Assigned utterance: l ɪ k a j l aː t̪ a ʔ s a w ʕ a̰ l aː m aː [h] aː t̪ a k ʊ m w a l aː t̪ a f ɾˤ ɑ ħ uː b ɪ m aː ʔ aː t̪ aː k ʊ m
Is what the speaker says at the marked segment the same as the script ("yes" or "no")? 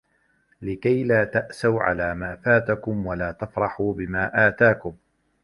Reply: no